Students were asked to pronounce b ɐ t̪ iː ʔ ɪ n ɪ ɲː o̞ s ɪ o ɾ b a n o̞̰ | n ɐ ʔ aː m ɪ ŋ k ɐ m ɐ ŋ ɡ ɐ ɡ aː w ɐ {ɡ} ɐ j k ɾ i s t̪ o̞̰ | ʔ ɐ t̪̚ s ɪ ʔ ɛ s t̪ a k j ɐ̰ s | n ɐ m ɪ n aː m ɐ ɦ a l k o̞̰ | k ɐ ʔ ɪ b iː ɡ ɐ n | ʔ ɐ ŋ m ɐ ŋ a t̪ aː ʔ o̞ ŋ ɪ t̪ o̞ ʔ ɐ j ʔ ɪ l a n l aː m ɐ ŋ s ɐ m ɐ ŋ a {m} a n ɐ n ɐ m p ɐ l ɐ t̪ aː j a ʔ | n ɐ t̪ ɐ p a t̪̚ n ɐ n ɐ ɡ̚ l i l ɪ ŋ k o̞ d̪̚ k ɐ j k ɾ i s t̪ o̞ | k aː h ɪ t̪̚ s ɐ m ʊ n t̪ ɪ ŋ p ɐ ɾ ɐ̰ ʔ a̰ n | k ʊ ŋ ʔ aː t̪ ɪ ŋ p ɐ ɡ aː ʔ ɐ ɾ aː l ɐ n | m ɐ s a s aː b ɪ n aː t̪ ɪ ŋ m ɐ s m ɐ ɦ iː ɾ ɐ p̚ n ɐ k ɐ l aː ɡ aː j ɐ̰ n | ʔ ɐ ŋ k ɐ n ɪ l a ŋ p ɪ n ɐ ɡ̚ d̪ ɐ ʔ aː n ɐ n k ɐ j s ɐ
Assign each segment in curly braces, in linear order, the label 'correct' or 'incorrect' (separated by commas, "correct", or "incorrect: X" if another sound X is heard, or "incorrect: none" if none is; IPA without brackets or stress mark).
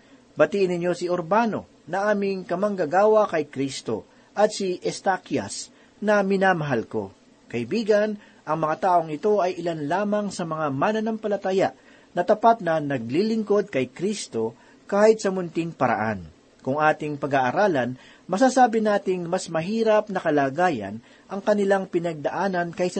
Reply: incorrect: k, correct